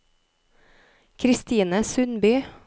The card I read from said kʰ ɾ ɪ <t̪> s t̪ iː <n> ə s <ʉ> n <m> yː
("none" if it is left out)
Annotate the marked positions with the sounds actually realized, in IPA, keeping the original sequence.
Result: none, n, ʉ, b

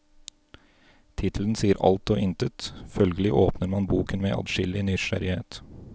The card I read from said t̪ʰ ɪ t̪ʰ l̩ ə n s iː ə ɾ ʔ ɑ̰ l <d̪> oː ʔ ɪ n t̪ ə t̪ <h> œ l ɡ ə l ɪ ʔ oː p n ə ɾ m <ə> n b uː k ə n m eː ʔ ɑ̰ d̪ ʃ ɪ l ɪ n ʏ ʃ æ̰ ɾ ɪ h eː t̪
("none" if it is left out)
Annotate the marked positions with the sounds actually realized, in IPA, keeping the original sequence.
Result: t̪, f, ɑ

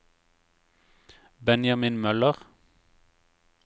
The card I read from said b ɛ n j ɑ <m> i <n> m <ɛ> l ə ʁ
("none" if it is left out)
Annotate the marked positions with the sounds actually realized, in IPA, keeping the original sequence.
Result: m, n, œ

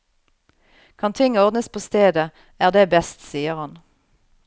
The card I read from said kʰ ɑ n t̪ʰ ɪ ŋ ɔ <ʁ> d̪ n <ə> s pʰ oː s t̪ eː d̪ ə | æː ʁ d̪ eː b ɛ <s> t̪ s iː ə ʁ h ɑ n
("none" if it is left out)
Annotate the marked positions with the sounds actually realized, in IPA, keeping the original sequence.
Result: ʁ, ə, s

